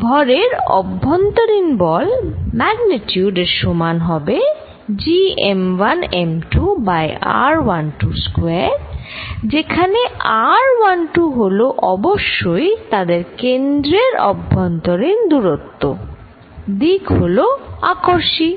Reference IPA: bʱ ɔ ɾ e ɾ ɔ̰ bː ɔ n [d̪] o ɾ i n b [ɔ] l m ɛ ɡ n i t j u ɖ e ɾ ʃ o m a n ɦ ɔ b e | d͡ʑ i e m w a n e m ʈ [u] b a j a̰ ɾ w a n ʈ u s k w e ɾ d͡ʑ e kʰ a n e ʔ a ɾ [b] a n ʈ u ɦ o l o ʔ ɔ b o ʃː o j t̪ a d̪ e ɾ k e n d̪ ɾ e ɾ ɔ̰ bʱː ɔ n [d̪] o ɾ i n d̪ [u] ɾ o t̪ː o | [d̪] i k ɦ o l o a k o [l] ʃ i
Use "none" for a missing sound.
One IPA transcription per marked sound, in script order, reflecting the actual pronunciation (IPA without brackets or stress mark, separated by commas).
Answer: t̪, ɔ, u, w, t̪, u, d̪, ɾ